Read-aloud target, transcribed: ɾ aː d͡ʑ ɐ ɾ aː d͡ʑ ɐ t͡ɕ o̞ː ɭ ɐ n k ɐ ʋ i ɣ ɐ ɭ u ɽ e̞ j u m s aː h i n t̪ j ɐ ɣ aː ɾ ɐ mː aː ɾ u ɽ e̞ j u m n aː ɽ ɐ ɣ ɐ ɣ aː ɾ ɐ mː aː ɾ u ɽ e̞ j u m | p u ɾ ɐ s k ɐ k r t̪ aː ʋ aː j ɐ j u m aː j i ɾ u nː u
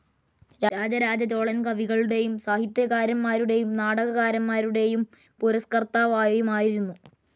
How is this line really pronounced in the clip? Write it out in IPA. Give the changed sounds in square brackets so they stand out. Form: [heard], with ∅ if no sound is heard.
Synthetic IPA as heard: ɾ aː d͡ʑ ɐ ɾ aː d͡ʑ ɐ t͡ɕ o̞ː ɭ ɐ n k ɐ ʋ i ɣ ɐ ɭ u ɽ e̞ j u m s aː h i [∅] t̪ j ɐ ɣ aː ɾ ɐ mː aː ɾ u ɽ e̞ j u m n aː ɽ ɐ ɣ ɐ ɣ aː ɾ ɐ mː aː ɾ u ɽ e̞ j u m | p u ɾ ɐ s k ɐ [∅] r t̪ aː ʋ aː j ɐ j u m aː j i ɾ u nː u